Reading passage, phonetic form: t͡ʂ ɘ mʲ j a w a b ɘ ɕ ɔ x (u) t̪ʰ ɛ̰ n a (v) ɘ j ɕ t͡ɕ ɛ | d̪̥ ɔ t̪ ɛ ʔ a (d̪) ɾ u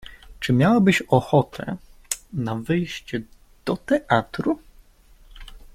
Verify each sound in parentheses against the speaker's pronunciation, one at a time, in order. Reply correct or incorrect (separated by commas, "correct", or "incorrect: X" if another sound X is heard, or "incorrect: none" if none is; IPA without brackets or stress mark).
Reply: incorrect: ɔ, correct, incorrect: t̪